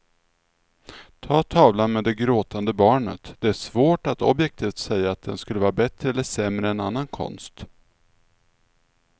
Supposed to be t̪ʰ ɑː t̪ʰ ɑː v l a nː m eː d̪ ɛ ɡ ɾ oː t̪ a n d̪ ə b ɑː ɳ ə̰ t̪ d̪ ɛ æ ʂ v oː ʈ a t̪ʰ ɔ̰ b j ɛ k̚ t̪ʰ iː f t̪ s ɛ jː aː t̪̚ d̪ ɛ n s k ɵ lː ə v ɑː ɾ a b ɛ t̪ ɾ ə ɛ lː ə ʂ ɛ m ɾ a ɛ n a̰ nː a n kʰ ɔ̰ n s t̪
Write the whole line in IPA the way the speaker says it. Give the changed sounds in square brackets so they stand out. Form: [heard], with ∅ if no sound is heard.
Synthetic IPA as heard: t̪ʰ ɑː t̪ʰ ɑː v l a [n] m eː d̪ ɛ ɡ ɾ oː t̪ a n d̪ ə b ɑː ɳ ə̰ t̪ d̪ ɛ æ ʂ v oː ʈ a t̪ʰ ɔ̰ b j ɛ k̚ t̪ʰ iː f t̪ s ɛ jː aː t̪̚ d̪ ɛ n s k ɵ lː ə v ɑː ɾ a b ɛ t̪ ɾ ə ɛ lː ə ʂ ɛ m ɾ [ə] ɛ n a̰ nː a n kʰ ɔ̰ n s t̪